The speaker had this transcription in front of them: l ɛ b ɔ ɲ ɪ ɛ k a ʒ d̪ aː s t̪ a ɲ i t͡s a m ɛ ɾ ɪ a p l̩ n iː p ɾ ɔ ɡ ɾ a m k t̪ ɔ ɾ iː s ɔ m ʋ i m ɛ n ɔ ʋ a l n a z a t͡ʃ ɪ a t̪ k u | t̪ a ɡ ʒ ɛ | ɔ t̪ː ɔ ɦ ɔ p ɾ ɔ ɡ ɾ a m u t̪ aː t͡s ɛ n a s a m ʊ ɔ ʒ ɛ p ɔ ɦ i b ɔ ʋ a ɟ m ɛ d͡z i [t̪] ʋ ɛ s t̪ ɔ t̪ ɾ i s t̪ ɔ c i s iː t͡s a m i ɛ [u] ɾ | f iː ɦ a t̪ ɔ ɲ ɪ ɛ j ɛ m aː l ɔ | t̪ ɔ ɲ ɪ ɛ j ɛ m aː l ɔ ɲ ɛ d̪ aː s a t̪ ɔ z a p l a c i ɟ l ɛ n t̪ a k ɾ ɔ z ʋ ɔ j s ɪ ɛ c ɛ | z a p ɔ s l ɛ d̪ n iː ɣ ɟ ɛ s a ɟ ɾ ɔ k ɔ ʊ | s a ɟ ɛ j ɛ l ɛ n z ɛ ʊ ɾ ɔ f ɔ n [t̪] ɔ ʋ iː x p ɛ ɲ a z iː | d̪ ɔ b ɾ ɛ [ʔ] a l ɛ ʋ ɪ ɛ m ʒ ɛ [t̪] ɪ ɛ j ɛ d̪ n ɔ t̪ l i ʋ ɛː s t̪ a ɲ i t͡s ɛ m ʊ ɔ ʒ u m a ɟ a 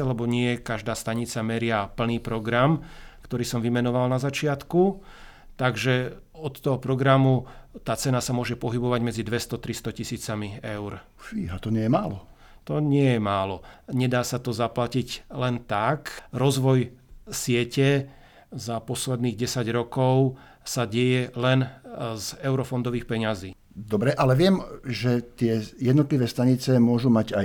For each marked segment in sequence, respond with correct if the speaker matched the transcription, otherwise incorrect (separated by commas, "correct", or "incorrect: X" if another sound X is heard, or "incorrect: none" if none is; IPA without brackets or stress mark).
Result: incorrect: d̪, incorrect: ʊ, incorrect: d̪, correct, correct